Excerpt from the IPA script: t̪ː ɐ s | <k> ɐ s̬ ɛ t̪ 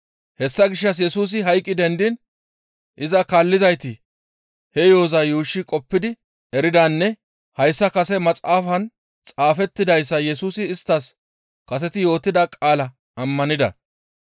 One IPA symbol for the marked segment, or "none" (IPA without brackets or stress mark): k